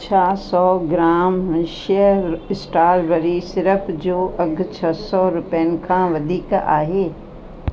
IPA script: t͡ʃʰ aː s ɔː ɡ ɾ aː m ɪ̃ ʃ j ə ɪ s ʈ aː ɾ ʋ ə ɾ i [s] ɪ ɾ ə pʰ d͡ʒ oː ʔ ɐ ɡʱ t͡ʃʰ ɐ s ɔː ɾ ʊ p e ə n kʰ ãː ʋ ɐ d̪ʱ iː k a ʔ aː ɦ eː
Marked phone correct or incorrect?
correct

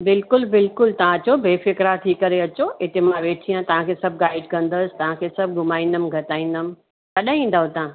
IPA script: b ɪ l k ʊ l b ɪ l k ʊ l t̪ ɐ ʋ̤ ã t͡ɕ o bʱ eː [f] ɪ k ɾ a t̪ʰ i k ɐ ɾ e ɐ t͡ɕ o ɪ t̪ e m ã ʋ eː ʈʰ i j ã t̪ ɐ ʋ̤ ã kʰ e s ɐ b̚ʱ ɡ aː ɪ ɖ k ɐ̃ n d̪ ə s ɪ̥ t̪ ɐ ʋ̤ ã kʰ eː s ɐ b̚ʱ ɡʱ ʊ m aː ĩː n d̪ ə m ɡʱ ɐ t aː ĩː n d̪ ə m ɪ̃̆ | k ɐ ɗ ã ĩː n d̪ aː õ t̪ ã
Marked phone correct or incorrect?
correct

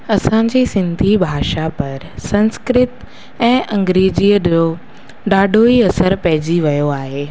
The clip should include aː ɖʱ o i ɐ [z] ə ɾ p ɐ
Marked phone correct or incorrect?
incorrect: s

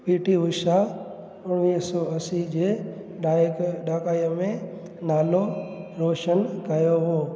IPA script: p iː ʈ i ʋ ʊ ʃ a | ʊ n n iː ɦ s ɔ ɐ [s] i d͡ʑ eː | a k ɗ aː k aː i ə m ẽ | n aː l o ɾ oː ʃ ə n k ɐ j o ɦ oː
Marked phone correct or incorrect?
correct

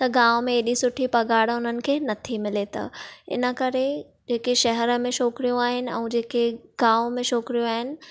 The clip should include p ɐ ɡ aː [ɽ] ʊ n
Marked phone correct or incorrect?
correct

